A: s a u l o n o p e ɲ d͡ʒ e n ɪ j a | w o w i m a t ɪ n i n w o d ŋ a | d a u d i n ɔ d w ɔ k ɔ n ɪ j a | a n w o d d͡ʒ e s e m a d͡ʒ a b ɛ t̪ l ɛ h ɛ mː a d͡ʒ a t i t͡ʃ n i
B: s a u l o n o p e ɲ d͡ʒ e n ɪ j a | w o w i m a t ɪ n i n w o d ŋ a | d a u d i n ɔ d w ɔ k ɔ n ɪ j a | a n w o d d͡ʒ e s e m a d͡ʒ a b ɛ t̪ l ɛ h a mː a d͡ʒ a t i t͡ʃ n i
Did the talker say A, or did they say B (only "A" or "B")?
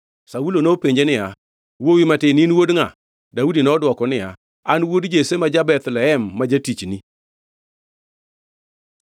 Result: A